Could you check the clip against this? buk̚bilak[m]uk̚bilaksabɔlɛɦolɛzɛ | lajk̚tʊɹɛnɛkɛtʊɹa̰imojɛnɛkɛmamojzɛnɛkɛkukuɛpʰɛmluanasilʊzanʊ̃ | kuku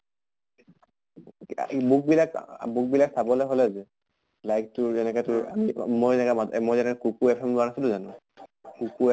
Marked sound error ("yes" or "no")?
yes